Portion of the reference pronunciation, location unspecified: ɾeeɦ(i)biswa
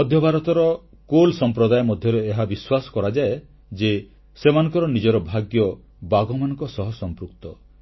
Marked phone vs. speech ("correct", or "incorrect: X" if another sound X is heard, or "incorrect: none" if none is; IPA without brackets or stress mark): incorrect: a